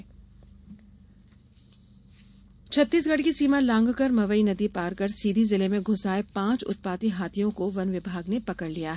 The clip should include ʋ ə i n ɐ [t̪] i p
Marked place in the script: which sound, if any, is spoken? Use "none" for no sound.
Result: d̪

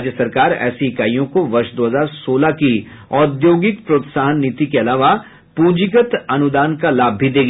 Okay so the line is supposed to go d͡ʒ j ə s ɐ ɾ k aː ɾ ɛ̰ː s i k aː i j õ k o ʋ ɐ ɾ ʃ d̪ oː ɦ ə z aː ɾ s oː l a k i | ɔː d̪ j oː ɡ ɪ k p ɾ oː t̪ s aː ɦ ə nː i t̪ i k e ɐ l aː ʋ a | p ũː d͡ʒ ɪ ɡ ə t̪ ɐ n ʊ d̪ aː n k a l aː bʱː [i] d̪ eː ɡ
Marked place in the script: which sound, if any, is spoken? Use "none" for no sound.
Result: i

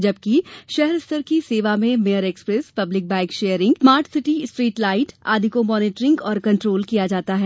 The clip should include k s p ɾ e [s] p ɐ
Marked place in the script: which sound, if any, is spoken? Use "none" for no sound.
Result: s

